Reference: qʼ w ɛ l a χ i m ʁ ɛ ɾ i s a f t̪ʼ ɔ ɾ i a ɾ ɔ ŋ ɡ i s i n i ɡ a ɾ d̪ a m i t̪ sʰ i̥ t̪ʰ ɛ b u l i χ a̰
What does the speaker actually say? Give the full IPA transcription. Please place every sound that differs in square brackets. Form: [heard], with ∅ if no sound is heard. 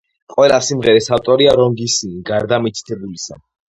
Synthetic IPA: qʼ w ɛ l a [s] i m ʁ ɛ ɾ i s a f t̪ʼ ɔ ɾ i a ɾ ɔ ŋ ɡ i s i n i ɡ a ɾ d̪ a m i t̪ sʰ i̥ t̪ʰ ɛ b u l i [s] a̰